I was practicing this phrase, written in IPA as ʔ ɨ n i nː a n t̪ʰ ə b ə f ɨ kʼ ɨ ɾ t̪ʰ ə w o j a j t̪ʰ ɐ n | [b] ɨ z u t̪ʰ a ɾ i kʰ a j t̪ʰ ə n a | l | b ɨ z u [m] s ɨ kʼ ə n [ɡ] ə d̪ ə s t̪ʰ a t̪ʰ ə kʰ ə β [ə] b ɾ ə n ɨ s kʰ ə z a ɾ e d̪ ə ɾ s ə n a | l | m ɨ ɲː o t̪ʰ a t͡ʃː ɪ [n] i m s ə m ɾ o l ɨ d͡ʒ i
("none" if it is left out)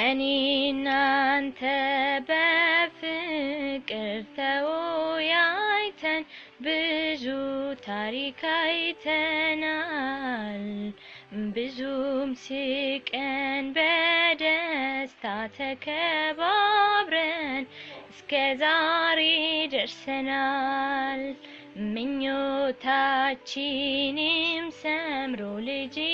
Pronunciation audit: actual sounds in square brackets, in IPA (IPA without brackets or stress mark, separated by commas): b, m, b, a, n